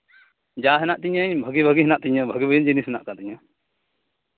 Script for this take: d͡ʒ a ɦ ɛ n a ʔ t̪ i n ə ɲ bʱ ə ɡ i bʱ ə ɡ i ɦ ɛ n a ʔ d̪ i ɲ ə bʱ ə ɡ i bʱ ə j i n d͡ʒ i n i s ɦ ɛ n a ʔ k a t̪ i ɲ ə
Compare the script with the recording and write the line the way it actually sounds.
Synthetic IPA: d͡ʒ a ɦ ɛ n a ʔ t̪ i ɲ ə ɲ bʱ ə ɡ i bʱ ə ɡ i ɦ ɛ n a ʔ t̪ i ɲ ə bʱ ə ɡ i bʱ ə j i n d͡ʒ i n i s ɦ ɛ n a ʔ k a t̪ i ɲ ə